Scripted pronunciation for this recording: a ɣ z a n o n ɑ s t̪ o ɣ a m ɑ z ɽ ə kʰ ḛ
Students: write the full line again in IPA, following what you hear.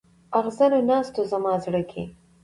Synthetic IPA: a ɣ z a n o n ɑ s t̪ o z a m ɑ z ɽ ə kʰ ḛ